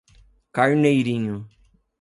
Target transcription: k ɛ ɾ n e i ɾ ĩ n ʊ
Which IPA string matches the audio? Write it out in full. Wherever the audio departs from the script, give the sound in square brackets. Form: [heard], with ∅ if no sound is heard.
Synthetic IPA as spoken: k [a] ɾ n e [j] ɾ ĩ [ɲ] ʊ